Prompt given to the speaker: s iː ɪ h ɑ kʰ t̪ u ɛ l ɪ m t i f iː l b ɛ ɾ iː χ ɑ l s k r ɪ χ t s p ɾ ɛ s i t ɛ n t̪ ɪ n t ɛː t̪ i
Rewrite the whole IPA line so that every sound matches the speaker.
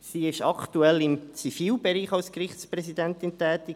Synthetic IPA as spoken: s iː ɪ ʃ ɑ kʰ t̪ u ɛ l ɪ m t͡s i f iː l b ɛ ɾ iː χ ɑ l s k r ɪ χ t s p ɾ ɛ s i d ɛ n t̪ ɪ n t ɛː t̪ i